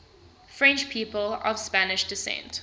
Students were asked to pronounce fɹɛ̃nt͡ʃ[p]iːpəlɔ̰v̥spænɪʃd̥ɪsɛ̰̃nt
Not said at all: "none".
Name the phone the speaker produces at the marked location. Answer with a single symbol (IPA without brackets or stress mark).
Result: pʰ